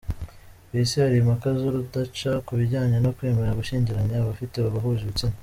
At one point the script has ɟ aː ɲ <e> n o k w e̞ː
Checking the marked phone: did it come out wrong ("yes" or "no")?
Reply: no